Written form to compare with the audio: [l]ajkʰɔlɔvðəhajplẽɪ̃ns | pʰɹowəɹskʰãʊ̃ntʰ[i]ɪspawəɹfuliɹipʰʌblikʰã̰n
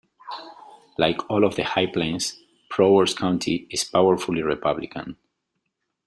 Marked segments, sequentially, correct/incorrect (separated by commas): correct, correct